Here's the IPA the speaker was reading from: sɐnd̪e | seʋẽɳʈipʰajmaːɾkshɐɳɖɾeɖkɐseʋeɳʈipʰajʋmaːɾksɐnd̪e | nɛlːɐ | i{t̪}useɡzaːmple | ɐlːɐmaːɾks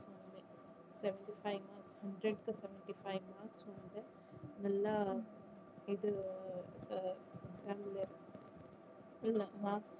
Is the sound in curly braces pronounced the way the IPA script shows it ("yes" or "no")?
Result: no